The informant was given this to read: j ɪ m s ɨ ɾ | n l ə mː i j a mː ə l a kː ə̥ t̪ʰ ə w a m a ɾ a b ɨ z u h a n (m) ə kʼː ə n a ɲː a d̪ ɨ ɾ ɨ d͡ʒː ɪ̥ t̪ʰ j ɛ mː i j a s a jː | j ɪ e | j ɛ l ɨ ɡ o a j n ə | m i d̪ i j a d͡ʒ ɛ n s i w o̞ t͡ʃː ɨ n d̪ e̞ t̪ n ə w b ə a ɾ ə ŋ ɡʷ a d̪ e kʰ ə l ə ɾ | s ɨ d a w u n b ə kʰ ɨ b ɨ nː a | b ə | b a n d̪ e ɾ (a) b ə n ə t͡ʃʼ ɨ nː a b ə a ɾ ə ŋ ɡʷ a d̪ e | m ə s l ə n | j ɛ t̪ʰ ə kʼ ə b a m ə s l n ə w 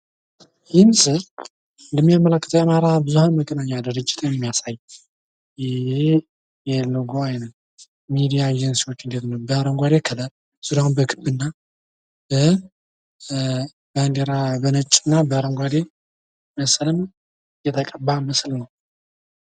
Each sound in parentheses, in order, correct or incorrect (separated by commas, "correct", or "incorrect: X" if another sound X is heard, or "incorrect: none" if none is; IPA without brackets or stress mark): correct, correct